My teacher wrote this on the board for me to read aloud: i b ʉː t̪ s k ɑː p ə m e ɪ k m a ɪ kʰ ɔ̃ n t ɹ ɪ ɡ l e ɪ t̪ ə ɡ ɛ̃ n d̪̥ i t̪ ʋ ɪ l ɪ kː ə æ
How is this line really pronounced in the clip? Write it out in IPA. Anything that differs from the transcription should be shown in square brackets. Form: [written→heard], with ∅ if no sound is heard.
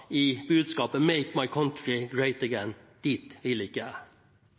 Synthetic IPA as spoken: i b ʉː [t̪→d̪] s k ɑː p ə m e ɪ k m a ɪ kʰ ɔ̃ n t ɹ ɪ ɡ [l→ɹ] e ɪ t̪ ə ɡ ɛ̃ n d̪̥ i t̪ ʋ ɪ l ɪ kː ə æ